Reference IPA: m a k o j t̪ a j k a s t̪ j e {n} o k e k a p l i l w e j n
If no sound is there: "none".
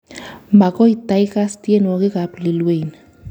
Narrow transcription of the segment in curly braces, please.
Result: n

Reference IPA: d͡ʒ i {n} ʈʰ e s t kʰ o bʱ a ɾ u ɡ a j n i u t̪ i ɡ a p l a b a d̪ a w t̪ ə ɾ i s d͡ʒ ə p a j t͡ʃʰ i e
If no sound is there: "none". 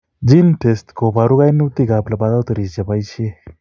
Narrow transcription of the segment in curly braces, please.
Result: n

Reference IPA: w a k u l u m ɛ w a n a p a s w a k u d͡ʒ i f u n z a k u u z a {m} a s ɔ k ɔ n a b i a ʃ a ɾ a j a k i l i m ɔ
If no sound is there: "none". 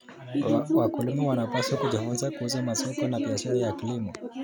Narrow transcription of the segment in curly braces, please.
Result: m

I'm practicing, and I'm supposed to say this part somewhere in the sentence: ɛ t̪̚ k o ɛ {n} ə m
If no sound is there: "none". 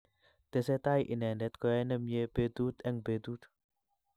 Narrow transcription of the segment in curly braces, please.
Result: n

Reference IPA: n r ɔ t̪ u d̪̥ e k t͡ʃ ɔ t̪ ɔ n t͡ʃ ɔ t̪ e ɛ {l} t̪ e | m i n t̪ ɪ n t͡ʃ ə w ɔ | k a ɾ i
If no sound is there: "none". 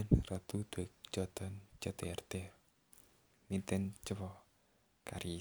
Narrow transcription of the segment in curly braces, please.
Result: r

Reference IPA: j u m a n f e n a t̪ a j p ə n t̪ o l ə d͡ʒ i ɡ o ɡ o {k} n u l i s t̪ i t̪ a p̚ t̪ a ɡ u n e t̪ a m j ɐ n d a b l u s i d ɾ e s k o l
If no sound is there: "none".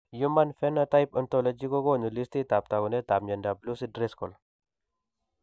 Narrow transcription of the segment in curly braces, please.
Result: none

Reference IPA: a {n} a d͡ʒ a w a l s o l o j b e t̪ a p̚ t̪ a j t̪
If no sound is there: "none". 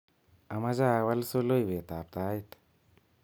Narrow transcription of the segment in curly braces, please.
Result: m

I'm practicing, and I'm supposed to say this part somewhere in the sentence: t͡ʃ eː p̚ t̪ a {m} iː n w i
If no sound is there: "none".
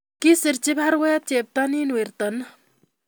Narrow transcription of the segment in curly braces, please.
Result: n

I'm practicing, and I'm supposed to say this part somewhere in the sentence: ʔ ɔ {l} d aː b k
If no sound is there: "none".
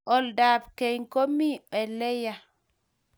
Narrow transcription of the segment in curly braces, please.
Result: l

